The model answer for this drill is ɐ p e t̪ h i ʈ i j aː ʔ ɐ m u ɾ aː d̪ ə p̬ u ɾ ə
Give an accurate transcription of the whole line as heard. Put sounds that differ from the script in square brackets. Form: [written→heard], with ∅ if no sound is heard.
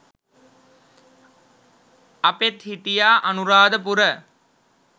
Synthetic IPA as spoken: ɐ p e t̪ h i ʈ i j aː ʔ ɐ [m→n] u ɾ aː d̪ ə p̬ u ɾ ə